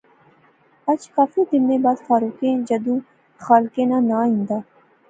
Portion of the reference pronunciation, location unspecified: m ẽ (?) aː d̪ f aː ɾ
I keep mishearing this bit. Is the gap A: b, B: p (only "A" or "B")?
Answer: A